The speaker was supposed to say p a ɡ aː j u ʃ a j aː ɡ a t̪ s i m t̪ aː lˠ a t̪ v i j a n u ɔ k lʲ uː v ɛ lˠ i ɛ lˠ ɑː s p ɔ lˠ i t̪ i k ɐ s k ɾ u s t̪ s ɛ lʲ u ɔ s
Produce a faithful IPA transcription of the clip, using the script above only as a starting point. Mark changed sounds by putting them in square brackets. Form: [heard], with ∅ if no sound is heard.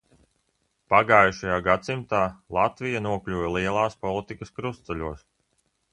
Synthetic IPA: p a ɡ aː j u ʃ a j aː ɡ a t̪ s i m t̪ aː lˠ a t̪ v i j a n u ɔ k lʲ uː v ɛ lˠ i ɛ lˠ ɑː s p ɔ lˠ i t̪ i k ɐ s k ɾ u s t̪ s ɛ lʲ u ɔ s